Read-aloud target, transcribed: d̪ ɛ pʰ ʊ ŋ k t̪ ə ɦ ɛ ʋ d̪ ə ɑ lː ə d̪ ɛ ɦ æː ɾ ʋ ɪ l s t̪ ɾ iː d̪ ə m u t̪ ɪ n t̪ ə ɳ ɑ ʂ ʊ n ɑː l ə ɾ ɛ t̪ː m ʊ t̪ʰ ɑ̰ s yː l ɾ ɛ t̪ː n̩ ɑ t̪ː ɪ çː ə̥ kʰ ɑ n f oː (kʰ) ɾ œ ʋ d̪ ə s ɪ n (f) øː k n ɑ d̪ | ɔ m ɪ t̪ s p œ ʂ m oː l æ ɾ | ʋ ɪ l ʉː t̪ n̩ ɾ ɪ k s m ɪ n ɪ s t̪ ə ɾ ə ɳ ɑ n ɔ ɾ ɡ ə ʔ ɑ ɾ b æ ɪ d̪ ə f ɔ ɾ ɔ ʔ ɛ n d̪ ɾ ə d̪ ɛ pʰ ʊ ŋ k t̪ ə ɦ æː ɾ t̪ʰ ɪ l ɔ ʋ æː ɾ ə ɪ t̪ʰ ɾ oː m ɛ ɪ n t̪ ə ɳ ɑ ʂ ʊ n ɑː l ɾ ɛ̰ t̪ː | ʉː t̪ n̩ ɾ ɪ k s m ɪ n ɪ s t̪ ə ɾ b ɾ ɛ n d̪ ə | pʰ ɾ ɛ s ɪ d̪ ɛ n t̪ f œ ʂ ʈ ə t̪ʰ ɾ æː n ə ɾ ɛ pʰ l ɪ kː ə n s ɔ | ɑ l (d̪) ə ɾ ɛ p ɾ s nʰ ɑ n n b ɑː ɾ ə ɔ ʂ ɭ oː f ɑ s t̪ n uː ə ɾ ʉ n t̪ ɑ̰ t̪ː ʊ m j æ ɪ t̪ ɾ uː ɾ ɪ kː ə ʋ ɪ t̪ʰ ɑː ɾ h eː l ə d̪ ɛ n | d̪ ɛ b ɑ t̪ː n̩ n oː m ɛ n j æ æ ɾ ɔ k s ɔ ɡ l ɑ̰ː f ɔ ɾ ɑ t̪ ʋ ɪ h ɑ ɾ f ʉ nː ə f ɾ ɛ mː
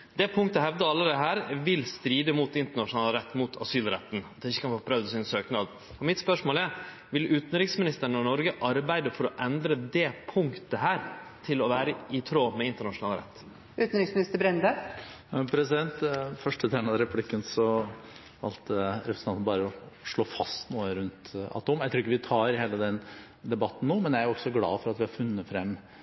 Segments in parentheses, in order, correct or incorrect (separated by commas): incorrect, incorrect, incorrect